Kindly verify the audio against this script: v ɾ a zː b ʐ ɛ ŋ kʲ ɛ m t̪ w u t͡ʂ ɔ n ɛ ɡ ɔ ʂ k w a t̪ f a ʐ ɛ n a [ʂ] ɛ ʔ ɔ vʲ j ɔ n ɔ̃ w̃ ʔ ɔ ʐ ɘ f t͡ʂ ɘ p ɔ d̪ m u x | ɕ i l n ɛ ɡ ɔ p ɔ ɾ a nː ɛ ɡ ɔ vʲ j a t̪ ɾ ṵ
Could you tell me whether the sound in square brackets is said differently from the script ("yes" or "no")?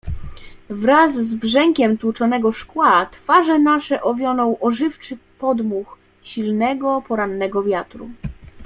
no